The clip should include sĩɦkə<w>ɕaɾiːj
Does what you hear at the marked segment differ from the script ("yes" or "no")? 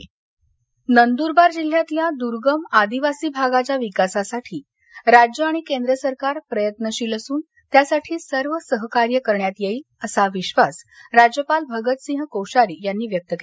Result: no